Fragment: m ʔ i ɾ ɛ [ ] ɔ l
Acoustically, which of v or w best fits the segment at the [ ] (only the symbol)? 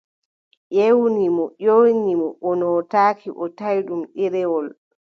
w